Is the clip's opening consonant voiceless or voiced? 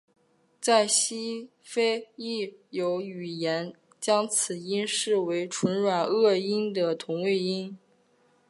voiceless